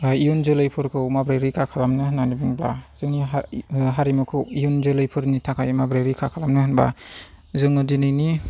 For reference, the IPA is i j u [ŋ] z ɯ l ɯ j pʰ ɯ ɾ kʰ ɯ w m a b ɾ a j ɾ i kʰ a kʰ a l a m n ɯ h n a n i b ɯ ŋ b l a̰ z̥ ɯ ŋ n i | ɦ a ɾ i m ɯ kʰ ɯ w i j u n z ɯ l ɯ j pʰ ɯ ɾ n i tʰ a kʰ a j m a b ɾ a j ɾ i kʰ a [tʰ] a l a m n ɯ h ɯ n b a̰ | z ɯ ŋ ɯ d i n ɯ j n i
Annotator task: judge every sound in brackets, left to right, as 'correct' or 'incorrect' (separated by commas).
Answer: incorrect, incorrect